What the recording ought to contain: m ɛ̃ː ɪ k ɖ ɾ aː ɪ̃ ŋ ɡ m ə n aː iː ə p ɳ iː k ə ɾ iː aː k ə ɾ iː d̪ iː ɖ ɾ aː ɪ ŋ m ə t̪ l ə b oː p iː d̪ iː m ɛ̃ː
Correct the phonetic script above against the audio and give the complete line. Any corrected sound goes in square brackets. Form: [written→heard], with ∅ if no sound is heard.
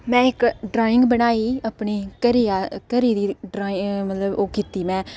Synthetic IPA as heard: m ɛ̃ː ɪ k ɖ ɾ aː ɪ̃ ŋ ɡ [m→b] ə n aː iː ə p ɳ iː k ə ɾ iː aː k ə ɾ iː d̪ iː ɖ ɾ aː ɪ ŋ m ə t̪ l ə b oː [p→k] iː [d̪→t̪] iː m ɛ̃ː